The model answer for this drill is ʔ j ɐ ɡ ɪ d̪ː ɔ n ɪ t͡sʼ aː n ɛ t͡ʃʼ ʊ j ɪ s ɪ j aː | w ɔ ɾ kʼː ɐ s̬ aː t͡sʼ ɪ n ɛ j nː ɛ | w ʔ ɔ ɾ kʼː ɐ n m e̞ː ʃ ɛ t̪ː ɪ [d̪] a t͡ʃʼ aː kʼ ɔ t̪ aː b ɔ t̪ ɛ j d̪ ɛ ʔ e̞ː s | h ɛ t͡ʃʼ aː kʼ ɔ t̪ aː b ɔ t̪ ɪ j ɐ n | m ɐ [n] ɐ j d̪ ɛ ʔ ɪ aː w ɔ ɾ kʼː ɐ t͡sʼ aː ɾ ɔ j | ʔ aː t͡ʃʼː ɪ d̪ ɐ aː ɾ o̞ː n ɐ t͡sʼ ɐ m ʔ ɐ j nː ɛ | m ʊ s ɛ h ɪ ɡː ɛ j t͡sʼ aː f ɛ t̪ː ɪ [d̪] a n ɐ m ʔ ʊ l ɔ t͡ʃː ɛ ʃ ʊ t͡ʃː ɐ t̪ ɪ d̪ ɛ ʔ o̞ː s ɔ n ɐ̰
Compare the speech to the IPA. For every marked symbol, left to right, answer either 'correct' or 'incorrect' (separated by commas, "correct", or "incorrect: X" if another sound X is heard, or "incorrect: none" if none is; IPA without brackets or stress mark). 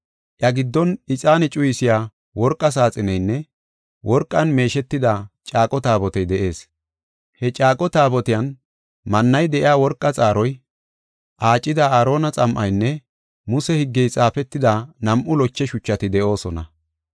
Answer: correct, incorrect: nː, correct